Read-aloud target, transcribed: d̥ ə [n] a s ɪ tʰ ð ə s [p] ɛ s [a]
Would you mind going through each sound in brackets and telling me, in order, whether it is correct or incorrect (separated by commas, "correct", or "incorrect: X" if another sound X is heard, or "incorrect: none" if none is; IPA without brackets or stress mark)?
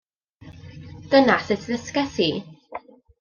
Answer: correct, incorrect: k, incorrect: i